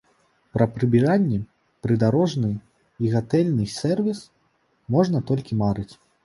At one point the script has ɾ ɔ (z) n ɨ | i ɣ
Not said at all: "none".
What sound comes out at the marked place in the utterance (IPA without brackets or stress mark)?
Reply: ʐ